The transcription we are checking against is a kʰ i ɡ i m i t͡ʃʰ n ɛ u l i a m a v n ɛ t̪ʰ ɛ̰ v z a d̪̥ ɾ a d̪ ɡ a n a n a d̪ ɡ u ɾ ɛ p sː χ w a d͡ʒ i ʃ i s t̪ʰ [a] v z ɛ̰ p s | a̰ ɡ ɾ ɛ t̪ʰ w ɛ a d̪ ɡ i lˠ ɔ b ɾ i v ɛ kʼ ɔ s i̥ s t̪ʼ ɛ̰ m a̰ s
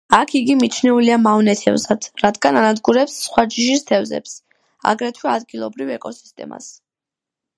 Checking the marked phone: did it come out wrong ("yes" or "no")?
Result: yes